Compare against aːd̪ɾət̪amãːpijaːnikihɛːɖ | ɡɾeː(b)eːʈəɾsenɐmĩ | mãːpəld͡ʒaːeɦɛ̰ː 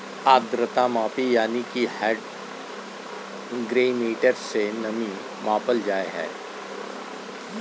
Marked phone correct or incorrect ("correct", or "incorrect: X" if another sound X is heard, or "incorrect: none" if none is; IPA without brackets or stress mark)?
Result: incorrect: m